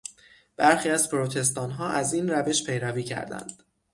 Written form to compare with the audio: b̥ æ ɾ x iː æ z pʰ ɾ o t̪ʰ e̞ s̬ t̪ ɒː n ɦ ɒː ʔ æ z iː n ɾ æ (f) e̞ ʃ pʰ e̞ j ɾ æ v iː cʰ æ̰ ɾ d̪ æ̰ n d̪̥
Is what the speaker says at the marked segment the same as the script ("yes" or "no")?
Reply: no